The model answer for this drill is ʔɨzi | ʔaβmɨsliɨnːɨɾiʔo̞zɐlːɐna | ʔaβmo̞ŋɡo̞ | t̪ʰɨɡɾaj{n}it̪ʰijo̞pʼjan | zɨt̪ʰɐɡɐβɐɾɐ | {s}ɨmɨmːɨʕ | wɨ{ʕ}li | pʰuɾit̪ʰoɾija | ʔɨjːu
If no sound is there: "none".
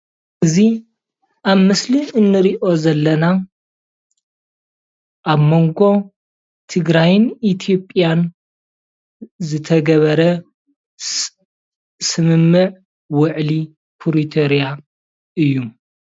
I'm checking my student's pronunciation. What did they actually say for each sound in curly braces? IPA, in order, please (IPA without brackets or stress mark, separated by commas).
n, s, ʕ